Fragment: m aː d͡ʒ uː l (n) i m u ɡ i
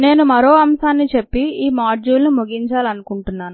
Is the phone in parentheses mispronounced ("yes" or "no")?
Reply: no